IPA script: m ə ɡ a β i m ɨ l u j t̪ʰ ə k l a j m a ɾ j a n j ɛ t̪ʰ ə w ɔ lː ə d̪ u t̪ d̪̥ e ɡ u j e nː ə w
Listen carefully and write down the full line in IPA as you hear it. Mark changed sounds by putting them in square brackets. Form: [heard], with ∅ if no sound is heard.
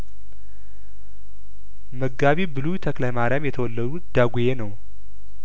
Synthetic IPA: m ə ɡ a β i [b] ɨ l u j t̪ʰ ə k l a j m a ɾ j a [m] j ɛ t̪ʰ ə w ɔ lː ə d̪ u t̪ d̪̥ [a] ɡ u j e [n] ə w

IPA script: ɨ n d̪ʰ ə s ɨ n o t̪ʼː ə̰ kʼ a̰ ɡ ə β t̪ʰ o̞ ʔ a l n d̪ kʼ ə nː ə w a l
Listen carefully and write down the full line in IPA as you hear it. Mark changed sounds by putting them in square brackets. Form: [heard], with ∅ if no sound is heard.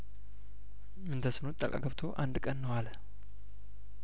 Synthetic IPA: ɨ n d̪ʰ ə s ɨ n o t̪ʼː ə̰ kʼ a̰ ɡ ə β t̪ʰ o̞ ʔ a [∅] n d̪ kʼ ə nː ə w a l

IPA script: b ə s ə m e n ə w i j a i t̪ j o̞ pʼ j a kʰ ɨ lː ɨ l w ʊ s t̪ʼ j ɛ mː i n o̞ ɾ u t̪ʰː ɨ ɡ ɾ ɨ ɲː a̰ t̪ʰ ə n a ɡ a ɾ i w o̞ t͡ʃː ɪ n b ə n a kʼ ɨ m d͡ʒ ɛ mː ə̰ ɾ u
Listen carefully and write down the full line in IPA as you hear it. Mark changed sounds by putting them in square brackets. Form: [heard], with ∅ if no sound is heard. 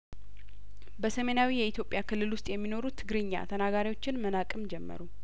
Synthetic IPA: b ə s ə m e n [a] w i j [ɛ] i t̪ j o̞ pʼ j a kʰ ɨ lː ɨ l w ʊ s t̪ʼ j ɛ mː i n o̞ ɾ u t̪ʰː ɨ ɡ ɾ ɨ ɲː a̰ t̪ʰ ə n a ɡ a ɾ i w o̞ t͡ʃː ɪ n [m] ə n a kʼ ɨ m d͡ʒ ɛ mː ə̰ ɾ u

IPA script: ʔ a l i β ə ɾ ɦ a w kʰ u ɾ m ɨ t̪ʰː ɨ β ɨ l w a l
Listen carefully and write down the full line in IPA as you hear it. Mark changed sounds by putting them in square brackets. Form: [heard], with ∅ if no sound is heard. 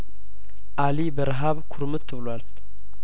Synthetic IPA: ʔ a l i [b] ə ɾ ɦ a [β] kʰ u ɾ m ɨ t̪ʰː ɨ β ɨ l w a l

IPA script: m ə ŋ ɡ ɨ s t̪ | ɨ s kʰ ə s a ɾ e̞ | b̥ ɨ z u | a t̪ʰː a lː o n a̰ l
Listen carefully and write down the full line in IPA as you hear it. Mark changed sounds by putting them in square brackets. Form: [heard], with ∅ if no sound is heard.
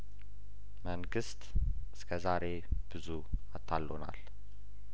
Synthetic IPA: m ə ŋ ɡ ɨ s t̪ | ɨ s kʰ ə [z] a ɾ e̞ | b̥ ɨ z u | a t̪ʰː a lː o n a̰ l

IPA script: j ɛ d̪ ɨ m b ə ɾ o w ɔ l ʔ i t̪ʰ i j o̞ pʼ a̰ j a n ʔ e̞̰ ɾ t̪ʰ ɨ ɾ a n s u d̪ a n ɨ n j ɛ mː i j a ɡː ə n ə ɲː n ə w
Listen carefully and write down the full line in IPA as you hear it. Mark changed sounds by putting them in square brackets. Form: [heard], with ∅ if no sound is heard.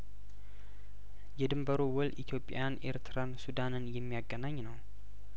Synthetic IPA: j ɛ d̪ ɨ m b ə ɾ o w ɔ l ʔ i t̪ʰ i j o̞ pʼ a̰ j a n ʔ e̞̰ ɾ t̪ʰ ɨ ɾ a n s u d̪ a n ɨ n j ɛ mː i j a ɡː ə n [a] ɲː n ə w

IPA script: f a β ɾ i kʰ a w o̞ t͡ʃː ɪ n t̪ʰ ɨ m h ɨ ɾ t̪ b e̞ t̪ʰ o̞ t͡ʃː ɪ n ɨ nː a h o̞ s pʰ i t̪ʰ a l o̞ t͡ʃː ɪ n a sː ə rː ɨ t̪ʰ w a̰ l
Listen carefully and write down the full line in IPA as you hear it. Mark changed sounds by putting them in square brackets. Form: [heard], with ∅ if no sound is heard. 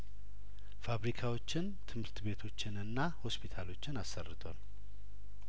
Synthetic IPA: f a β ɾ i kʰ a w o̞ t͡ʃː ɪ n t̪ʰ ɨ m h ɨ ɾ t̪ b e̞ t̪ʰ o̞ t͡ʃː ɪ n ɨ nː a h o̞ s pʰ i t̪ʰ a l o̞ t͡ʃː ɪ n a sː ə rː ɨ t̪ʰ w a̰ l

